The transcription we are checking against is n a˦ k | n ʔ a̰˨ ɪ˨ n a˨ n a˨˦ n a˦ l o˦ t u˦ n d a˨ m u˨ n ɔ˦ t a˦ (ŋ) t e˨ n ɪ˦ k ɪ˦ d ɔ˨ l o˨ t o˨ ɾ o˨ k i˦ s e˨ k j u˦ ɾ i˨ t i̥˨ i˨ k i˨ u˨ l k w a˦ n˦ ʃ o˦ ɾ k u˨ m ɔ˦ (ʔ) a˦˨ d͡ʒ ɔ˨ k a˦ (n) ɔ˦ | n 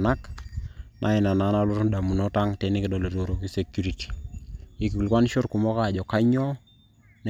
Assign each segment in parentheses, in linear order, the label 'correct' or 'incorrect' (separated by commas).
correct, incorrect, incorrect